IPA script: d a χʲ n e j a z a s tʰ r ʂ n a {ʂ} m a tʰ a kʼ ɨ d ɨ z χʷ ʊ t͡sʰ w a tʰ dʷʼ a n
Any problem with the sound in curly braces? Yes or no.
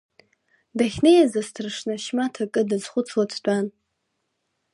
yes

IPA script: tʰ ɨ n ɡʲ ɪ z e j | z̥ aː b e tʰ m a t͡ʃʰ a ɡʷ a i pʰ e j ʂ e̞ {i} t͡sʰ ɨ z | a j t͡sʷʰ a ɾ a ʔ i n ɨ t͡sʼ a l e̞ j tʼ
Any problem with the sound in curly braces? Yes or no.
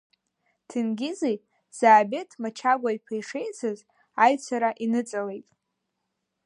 yes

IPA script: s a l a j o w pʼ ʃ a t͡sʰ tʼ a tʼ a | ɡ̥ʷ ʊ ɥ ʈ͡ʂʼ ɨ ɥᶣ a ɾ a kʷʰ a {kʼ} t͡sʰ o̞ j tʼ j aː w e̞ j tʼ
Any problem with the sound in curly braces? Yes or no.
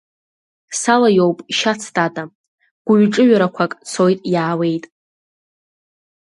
no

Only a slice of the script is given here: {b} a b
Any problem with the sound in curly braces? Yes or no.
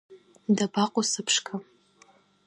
yes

